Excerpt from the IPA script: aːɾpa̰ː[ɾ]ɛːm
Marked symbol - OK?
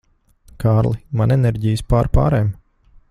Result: yes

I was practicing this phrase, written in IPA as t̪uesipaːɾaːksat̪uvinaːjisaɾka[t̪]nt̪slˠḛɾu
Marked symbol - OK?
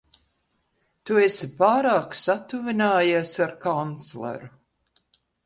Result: no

